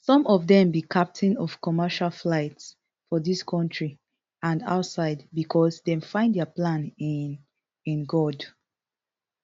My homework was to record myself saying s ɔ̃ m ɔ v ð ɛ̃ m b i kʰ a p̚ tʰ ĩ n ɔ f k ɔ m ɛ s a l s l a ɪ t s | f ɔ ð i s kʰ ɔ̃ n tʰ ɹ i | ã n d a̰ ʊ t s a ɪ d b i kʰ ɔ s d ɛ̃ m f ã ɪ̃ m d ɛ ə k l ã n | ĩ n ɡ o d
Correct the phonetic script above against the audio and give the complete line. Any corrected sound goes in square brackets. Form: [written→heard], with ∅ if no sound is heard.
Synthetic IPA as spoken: s ɔ̃ m ɔ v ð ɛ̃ m b i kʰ a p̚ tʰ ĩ n ɔ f k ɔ m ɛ [s→ʃ] a l [s→f] l a ɪ t s | f ɔ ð i s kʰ ɔ̃ n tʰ ɹ i | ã n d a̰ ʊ t s a ɪ d b i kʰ ɔ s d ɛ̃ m f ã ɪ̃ [m→n] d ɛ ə [k→p] l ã n | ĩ n ɡ [o→ɔ] d